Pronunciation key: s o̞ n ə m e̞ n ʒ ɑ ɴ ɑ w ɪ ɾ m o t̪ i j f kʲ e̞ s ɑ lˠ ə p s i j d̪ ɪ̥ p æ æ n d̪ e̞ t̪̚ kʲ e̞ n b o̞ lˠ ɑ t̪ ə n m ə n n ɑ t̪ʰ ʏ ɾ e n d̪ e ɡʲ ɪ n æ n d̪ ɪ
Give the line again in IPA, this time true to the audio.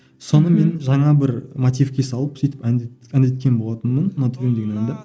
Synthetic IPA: s o̞ n ə m e̞ n ʒ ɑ ɴ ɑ b ɪ ɾ m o t̪ i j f kʲ e̞ s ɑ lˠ ə p s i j t̪ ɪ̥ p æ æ n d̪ e̞ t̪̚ kʲ e̞ n b o̞ lˠ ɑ t̪ ə n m ə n n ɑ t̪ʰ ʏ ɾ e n d̪ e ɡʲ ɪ n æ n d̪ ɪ

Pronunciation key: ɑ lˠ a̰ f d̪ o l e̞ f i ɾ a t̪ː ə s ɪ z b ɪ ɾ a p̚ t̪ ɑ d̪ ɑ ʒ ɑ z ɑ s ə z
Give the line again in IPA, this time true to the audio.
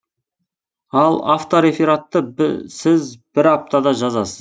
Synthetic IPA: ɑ lˠ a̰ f t̪ o ɾ e̞ f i ɾ a t̪ː ə s ɪ z b ɪ ɾ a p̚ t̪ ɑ d̪ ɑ ʒ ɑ z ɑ s ə z

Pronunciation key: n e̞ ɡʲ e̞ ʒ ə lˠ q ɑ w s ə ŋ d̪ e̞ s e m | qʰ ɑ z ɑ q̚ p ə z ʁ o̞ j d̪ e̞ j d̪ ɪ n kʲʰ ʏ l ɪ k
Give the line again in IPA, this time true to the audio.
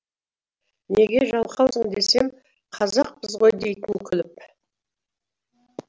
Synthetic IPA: n e̞ ɡʲ e̞ ʒ ɑ lˠ q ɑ w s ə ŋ d̪ e̞ s e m | qʰ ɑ z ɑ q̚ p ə z ʁ o̞ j d̪ e̞ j t̪ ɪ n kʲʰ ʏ l ɪ p

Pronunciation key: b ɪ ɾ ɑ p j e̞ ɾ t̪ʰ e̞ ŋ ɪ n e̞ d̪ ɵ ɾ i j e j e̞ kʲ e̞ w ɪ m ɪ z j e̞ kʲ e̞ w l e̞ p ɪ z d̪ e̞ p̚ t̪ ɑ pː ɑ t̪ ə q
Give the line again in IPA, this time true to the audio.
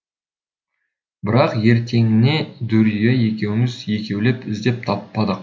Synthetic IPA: b ɪ ɾ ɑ q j e̞ ɾ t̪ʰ e̞ ŋ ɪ n e̞ d̪ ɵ ɾ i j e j e̞ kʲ e̞ w ɪ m ɪ z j e̞ kʲ e̞ w l e̞ p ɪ z d̪ e̞ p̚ t̪ʰ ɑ pː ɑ d̪ ə q

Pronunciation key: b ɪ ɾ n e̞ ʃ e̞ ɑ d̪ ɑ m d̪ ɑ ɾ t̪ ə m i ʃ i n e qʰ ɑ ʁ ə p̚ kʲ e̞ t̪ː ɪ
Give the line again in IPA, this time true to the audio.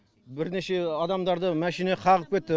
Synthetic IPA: b ɪ ɾ n e̞ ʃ e̞ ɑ d̪ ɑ m d̪ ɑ ɾ d̪ ə m æ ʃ i n e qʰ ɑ ʁ ə p̚ kʲ e̞ t̪ː ɪ

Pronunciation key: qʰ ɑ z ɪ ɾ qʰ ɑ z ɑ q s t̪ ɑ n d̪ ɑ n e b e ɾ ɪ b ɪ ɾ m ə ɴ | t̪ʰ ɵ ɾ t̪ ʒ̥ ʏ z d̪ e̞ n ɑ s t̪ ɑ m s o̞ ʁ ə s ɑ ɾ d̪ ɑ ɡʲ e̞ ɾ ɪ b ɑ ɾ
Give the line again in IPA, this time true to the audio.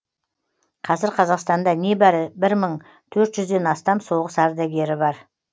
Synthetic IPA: qʰ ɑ z ɪ ɾ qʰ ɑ z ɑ q s t̪ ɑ n d̪ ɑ n e b æ ɾ ɪ b ɪ ɾ m ə ɴ | t̪ʰ ɵ ɾ t̪ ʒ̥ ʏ z d̪ e̞ n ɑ s t̪ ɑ m s o̞ ʁ ə s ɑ ɾ d̪ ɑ ɡʲ e̞ ɾ ɪ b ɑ ɾ

